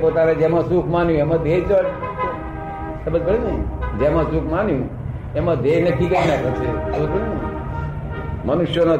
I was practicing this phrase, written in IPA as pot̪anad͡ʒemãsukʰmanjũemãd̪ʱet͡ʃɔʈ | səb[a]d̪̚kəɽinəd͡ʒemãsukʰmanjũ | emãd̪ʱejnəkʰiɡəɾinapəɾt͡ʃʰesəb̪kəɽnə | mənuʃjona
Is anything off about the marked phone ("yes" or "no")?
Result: yes